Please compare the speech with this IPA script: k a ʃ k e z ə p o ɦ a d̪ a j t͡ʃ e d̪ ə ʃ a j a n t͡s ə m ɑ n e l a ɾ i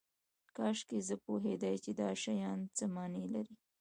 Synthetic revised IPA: k ɑ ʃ k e z ə p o ɦ e d̪ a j t͡ʃ e d̪ ɑ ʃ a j ɑ n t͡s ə m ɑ n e l a ɾ i